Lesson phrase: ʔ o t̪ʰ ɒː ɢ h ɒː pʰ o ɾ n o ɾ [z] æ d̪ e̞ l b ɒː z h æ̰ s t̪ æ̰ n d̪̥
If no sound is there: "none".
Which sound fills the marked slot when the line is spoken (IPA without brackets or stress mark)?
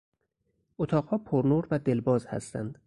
v